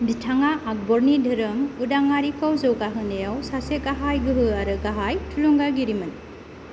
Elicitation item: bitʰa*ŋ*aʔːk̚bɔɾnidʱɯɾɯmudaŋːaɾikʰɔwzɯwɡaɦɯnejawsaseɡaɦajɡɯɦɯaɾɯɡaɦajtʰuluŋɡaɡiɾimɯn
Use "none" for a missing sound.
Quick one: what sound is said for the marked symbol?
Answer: ŋ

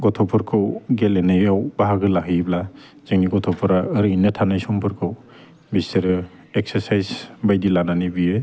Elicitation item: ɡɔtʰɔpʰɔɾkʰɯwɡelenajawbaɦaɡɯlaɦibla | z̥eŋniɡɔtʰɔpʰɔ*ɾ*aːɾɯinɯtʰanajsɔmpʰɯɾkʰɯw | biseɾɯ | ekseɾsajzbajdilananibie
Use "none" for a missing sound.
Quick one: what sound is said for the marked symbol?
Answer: ɾ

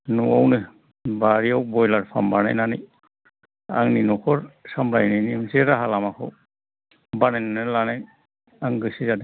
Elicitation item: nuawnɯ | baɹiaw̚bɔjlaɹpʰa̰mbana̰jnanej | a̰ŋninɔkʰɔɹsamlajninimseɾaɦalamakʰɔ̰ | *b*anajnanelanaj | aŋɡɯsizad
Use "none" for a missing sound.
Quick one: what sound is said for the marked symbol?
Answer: b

